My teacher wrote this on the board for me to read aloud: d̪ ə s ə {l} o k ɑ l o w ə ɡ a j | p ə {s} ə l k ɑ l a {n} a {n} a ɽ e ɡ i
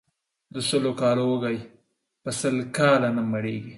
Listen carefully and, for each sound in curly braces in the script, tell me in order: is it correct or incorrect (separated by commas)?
correct, correct, correct, incorrect